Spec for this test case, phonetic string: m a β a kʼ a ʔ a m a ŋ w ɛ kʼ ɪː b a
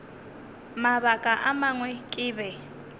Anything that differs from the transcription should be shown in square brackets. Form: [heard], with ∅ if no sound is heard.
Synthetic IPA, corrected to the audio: m a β a kʼ a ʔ a m a ŋ w ɛ kʼ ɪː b [ɛ]

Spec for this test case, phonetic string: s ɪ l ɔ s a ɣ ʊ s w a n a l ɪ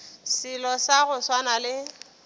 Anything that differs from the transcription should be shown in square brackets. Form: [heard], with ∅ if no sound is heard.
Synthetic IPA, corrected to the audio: s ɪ l ɔ s a ɣ ʊ s w a n a l ɪ

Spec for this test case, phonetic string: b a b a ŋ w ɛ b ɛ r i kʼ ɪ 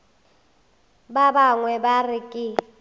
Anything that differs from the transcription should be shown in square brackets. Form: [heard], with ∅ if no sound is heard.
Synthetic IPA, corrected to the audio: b a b a ŋ w ɛ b [a] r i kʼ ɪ

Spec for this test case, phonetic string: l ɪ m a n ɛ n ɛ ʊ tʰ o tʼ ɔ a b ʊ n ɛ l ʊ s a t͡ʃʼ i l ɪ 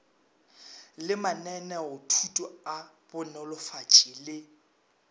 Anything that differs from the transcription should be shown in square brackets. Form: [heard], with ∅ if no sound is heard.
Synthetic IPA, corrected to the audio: l ɪ m a n ɛ n ɛ ʊ tʰ [u] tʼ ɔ a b ʊ n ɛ l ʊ [f] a t͡ʃʼ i l ɪ

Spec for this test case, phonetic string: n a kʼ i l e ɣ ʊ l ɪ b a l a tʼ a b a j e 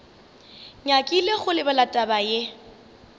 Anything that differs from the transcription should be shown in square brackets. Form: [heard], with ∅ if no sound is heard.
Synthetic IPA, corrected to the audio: [ɲ] a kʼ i l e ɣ ʊ l ɪ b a l a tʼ a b a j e

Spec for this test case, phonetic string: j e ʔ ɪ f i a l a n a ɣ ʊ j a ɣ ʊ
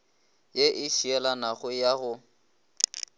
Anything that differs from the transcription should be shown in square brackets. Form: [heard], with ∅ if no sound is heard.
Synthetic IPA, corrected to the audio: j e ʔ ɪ [ʃ] i [ɛ] l a n a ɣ ʊ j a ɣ ʊ

